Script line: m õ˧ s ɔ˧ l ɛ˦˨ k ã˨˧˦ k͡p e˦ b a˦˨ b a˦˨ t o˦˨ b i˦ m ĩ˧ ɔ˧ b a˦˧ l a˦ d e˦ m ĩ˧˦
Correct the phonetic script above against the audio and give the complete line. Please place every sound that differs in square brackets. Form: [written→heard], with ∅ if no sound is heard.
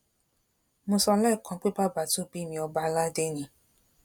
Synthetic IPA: m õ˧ s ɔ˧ l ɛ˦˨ k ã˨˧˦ k͡p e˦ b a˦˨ b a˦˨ t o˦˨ b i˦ m ĩ˧ ɔ˧ b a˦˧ l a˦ d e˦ [m→n] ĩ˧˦